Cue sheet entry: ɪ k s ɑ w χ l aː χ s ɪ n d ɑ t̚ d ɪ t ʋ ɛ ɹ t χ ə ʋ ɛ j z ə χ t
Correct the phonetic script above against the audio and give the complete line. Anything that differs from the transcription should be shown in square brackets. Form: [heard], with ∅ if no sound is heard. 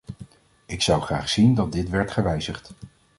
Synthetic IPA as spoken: ɪ k s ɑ w χ [r] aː χ s [i] n d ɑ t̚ d ɪ t ʋ ɛ ɹ t χ ə ʋ ɛ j z ə χ t